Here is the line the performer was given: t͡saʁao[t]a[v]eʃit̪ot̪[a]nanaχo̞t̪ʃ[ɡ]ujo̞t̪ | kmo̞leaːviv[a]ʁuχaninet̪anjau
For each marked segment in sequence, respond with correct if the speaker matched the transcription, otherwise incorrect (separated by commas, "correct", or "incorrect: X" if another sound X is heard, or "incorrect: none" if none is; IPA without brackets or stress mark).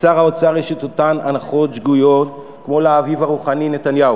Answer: incorrect: t͡s, incorrect: ʁ, correct, correct, correct